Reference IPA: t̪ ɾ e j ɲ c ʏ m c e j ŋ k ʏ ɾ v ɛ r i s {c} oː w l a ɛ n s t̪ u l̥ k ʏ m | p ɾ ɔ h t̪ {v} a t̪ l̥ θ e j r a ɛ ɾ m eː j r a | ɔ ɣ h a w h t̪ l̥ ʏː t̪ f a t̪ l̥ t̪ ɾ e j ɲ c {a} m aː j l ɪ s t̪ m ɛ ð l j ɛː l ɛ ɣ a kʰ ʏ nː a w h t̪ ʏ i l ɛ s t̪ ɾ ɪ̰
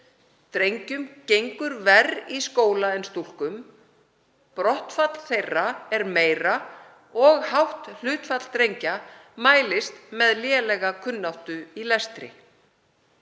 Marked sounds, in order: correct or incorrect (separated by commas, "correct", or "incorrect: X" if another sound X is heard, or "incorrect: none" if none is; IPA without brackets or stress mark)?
incorrect: k, incorrect: f, correct